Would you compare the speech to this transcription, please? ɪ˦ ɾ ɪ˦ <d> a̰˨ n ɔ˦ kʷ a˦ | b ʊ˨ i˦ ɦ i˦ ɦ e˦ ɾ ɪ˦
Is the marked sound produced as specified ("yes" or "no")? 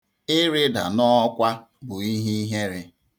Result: yes